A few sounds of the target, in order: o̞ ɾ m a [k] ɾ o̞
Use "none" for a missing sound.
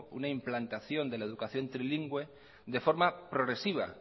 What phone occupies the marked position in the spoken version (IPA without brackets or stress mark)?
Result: p